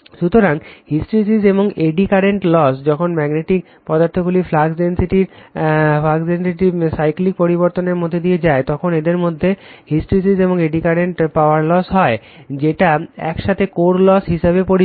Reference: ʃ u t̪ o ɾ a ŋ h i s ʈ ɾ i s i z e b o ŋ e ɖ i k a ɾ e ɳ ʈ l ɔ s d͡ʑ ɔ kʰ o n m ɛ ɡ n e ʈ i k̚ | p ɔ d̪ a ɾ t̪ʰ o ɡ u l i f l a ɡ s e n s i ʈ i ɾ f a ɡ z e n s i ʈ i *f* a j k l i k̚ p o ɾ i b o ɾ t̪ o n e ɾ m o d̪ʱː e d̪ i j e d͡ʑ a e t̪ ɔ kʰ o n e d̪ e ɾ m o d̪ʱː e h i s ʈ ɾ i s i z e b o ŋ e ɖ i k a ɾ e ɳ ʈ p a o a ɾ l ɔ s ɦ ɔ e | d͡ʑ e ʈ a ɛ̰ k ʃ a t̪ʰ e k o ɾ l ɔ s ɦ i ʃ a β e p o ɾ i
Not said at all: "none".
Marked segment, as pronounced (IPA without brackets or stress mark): s